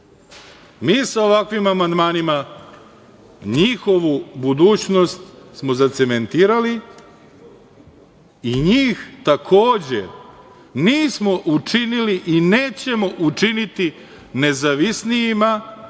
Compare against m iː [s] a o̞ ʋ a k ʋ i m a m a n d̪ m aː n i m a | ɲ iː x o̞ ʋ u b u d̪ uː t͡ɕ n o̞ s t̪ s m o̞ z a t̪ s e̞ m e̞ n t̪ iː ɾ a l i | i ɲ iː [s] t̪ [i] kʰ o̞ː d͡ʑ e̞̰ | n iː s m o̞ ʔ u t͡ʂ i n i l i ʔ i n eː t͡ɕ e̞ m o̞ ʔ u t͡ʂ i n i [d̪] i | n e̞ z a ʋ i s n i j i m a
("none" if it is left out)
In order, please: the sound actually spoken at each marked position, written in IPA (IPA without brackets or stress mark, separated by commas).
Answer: s, x, a, t̪